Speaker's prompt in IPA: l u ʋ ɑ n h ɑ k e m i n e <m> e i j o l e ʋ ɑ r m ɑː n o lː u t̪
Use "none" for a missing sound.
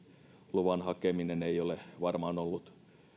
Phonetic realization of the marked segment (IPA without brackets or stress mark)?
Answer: n